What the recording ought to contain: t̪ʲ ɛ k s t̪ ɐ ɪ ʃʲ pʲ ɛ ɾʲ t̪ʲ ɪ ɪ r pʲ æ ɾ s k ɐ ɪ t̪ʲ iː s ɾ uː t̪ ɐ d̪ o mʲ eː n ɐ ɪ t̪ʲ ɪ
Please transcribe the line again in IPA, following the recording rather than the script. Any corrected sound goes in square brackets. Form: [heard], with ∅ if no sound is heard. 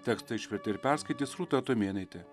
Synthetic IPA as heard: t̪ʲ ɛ k s t̪ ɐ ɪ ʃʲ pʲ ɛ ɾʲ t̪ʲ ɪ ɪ [ɾ] pʲ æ ɾ s k ɐ ɪ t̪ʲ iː s ɾ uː t̪ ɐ [t̪] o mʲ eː n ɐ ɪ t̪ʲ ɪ